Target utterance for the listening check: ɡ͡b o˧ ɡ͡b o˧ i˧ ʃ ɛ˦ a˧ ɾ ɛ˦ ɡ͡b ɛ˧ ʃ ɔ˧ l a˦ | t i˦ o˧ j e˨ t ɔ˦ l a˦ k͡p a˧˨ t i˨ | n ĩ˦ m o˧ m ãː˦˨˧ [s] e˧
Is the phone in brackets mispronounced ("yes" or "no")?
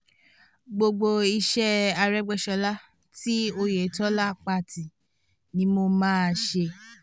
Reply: yes